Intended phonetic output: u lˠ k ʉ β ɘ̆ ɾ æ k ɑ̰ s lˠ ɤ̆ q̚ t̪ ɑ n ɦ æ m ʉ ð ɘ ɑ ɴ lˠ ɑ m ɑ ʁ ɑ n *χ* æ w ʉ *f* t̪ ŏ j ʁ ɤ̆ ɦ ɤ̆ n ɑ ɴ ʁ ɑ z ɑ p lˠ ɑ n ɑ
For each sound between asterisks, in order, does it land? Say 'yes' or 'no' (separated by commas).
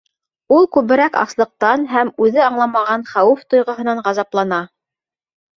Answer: yes, yes